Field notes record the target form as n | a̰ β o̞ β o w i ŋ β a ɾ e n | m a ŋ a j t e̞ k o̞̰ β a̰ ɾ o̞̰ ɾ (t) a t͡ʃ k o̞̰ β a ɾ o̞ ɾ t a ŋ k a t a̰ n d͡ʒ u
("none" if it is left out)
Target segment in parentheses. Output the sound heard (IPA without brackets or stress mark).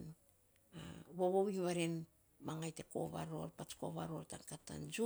p